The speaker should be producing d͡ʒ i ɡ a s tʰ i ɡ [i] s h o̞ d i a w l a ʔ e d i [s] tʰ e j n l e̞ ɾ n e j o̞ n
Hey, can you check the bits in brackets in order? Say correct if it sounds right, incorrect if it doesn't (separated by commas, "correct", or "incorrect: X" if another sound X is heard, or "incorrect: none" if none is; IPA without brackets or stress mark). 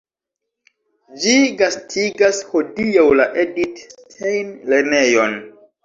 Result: incorrect: a, incorrect: t